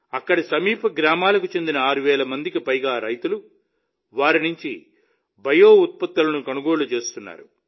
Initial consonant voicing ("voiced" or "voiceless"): voiceless